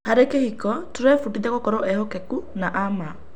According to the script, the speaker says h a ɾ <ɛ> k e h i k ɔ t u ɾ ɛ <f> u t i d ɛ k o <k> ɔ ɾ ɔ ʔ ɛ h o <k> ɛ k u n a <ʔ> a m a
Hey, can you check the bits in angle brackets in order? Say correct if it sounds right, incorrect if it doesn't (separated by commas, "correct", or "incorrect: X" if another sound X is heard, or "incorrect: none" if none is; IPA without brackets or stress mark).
incorrect: e, correct, correct, correct, correct